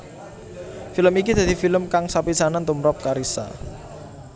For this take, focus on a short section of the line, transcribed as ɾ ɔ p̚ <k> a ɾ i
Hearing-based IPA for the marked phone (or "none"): k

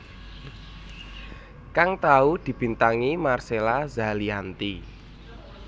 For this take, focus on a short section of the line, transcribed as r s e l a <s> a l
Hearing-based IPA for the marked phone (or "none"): z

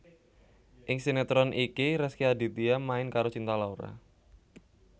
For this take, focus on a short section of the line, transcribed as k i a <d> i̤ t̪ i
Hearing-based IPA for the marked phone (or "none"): d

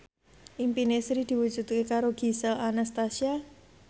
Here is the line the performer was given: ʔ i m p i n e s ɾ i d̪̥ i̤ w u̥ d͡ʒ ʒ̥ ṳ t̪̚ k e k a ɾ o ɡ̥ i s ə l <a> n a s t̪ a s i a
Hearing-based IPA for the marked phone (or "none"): a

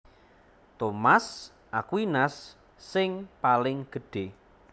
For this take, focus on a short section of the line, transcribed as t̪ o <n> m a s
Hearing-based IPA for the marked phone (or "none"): none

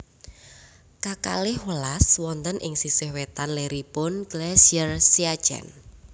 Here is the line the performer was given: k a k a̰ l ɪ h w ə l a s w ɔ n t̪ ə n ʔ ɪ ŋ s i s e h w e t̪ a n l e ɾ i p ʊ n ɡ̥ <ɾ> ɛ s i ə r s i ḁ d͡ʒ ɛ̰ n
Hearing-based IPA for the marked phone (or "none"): l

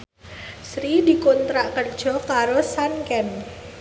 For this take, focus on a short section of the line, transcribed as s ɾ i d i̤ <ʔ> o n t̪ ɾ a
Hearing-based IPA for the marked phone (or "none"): k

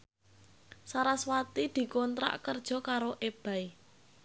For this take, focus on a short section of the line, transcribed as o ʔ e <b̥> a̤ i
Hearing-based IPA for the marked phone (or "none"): b̥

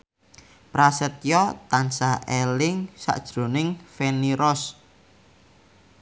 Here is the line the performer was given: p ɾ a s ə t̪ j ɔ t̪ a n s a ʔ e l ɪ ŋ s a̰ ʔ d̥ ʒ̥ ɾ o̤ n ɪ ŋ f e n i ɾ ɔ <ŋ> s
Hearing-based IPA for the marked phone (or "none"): none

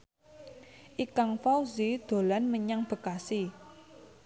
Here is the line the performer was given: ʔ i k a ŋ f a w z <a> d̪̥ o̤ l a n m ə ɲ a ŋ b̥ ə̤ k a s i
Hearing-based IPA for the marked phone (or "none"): i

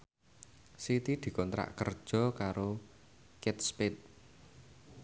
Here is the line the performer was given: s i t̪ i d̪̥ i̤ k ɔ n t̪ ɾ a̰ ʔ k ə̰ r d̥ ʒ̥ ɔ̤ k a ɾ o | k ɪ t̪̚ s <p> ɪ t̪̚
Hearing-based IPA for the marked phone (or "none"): p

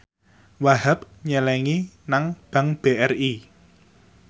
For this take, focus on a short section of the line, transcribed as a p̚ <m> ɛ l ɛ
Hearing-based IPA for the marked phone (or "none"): ɲ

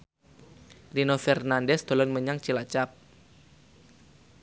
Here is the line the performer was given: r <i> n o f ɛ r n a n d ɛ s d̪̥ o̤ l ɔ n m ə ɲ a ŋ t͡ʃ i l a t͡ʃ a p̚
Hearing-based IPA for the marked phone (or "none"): i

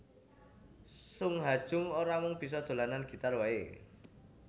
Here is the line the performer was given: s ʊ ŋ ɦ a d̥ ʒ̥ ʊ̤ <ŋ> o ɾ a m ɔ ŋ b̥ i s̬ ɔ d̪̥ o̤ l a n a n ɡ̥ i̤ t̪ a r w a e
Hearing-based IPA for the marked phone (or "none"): ŋ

